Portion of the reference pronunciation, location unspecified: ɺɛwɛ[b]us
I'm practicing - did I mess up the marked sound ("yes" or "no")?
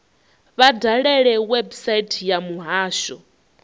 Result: no